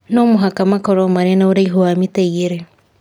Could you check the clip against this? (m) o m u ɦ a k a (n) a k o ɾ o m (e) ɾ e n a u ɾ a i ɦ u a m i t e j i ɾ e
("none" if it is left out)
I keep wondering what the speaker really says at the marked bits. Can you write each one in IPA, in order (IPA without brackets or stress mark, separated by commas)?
n, m, a